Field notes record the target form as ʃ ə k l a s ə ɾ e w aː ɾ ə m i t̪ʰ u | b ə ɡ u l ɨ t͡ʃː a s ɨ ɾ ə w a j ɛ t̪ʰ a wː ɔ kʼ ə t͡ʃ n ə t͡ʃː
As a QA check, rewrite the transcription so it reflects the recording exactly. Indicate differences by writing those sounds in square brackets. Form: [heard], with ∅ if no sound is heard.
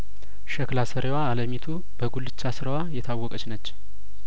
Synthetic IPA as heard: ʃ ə k l a s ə ɾ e w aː [l] ə m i t̪ʰ u | b ə ɡ u l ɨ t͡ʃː a s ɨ ɾ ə w a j ɛ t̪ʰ a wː ɔ kʼ ə t͡ʃ n ə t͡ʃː